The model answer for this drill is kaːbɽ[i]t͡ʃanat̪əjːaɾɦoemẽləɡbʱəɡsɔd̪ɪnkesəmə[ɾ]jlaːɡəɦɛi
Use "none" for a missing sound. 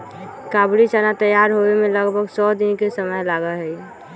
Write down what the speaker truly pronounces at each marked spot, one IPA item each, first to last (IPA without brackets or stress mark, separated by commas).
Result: i, none